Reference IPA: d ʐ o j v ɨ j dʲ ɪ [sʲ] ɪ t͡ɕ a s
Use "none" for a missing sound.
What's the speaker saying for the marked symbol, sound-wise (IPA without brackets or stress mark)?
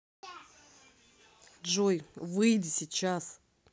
sʲ